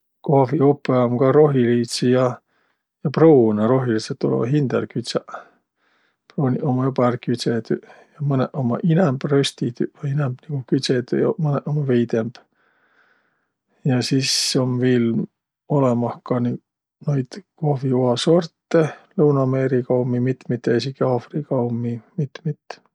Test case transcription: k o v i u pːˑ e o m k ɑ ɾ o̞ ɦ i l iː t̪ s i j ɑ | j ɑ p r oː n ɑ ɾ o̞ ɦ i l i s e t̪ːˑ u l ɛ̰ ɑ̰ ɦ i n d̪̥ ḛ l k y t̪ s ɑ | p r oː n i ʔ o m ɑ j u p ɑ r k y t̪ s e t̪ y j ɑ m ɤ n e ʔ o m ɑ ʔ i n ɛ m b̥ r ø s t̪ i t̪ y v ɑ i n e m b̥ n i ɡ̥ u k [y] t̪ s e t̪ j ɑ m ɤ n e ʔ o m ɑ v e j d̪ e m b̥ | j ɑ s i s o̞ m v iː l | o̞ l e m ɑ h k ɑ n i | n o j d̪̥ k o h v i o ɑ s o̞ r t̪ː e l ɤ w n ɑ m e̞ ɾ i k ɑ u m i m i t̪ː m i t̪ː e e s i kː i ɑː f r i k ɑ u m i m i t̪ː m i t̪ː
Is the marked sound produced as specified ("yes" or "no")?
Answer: yes